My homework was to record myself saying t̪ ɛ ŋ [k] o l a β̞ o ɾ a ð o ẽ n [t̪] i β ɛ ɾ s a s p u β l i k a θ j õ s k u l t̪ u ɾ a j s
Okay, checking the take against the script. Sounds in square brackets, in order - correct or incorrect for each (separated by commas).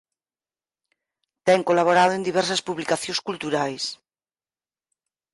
correct, incorrect